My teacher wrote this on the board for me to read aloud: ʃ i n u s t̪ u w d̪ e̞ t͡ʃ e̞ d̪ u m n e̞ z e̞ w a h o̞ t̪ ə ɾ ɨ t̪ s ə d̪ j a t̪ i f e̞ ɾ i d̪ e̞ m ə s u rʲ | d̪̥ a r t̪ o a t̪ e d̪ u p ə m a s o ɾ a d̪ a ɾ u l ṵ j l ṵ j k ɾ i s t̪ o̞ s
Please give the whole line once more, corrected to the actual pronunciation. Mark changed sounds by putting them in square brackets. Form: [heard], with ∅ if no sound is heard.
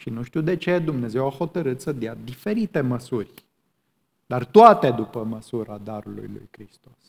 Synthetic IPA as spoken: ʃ i n u [ʃ] t̪ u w d̪ e̞ t͡ʃ e̞ d̪ u m n e̞ z e̞ w a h o̞ t̪ ə ɾ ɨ t̪ s ə d̪ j a [d̪] i f e̞ ɾ i [t̪] e̞ m ə s u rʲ | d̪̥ a r t̪ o a t̪ e d̪ u p ə m [ə] s [u] ɾ a d̪ a ɾ u l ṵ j l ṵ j k ɾ i s t̪ o̞ s